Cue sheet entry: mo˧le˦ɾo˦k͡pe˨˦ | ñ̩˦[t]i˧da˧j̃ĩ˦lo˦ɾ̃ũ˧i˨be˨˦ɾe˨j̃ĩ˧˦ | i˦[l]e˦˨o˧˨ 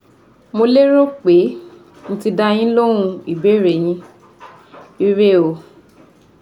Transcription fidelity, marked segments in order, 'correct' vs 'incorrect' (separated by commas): correct, incorrect